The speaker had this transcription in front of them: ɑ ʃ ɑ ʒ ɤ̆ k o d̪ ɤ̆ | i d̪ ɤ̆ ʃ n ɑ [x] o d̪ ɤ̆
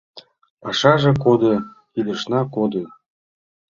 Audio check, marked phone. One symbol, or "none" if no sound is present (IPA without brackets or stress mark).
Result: k